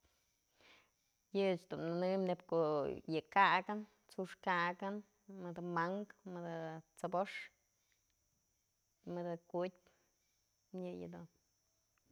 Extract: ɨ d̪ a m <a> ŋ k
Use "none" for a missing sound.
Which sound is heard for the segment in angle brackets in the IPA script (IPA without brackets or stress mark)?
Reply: a